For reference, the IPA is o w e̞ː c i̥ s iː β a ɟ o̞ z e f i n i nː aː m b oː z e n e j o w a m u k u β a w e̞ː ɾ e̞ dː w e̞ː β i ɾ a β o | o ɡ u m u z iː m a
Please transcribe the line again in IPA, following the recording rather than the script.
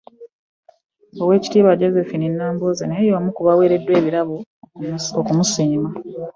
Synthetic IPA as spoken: o w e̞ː c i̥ t iː β a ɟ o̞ z e f i n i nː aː m b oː z e n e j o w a m u k u β a w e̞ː ɾ e̞ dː w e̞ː β i ɾ a β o | o k u m u s iː m a